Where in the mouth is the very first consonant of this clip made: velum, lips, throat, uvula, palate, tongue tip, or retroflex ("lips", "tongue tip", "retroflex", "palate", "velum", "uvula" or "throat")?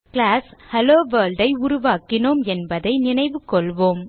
velum